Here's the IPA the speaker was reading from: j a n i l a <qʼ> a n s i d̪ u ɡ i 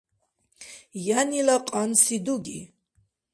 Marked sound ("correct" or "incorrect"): correct